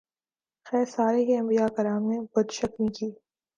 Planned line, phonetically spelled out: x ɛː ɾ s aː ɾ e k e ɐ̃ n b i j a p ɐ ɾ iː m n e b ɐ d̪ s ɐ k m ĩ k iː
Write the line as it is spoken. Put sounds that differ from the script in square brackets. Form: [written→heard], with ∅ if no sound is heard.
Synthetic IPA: x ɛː ɾ s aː ɾ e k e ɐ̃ [n→m] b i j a [p→k] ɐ ɾ [iː→aː] m n e b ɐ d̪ [s→ʃ] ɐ k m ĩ k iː